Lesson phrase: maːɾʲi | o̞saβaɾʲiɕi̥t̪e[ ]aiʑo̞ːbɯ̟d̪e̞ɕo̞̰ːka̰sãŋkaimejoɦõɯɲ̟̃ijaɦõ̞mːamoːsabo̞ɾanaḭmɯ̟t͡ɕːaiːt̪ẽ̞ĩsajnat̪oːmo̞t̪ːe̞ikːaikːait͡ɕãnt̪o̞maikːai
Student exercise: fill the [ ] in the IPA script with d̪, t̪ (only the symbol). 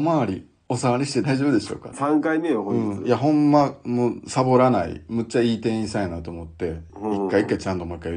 d̪